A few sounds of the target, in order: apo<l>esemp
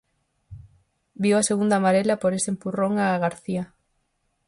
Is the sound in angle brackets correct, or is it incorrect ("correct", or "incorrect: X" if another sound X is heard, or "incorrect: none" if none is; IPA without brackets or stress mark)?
incorrect: ɾ